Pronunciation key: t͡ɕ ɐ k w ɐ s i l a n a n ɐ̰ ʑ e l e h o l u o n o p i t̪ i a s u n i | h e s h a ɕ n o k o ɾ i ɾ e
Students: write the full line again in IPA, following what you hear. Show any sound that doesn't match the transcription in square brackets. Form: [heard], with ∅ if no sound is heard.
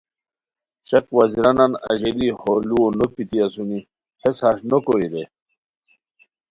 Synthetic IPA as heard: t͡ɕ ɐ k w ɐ [z] i [ɾ] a n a n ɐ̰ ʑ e l [i] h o l u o n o p i t̪ i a s u n i | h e s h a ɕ n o k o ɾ i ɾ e